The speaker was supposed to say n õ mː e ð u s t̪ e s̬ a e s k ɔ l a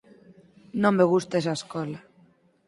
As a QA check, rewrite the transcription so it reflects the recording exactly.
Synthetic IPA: n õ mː e ɣ u s t̪ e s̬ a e s k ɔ l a